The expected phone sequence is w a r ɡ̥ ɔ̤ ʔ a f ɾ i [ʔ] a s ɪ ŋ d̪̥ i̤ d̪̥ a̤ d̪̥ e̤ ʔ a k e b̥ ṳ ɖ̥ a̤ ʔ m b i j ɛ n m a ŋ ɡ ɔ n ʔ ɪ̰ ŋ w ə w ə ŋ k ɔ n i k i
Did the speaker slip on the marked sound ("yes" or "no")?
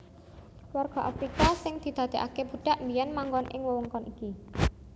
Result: yes